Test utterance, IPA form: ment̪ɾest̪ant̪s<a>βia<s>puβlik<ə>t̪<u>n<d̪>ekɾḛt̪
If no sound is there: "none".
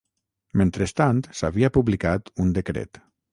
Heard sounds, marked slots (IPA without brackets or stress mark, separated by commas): a, none, a, u, d̪